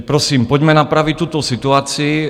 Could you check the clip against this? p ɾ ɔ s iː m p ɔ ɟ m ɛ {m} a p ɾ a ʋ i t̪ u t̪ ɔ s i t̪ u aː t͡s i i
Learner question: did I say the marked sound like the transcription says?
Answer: no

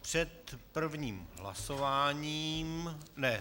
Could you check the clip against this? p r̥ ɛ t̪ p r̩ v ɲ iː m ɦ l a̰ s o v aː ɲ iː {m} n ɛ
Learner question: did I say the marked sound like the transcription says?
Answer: yes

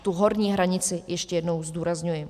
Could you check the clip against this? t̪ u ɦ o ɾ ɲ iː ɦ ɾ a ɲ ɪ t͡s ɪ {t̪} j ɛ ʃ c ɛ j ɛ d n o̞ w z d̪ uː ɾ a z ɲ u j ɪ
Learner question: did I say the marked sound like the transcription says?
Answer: no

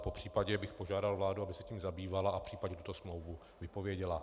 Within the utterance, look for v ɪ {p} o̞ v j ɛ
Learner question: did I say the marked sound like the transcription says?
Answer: yes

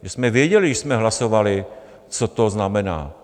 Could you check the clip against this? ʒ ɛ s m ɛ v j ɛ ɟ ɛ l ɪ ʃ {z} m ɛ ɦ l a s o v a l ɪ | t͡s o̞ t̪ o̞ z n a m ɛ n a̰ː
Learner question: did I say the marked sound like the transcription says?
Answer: no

